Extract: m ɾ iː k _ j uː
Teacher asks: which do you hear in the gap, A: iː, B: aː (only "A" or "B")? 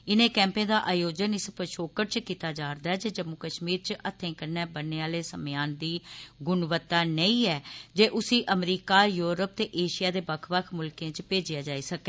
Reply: B